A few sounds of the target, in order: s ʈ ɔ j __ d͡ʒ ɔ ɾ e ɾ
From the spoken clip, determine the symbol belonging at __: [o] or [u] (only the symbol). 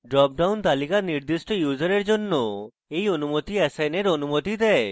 u